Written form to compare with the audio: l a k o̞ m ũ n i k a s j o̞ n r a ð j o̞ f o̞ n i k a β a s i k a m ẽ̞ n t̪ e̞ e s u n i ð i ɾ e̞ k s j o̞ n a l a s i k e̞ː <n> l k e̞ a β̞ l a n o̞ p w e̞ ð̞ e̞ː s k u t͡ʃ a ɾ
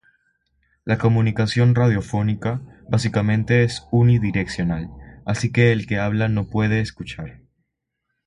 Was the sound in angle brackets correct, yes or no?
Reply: no